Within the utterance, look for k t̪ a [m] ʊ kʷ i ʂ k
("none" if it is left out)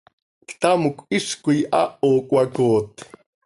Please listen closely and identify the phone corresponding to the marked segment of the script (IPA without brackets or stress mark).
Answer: m